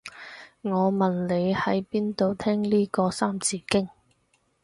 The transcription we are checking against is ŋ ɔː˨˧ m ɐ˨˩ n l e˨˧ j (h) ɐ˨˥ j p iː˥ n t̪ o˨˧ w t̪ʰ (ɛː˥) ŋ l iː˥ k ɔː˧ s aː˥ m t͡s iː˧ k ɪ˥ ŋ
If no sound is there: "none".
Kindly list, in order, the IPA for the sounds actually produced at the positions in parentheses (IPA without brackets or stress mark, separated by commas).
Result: h, ɛː˥